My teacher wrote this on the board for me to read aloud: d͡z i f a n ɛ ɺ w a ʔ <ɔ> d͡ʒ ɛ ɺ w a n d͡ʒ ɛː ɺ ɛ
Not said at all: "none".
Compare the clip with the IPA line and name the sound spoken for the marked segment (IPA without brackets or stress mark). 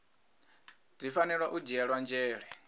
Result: u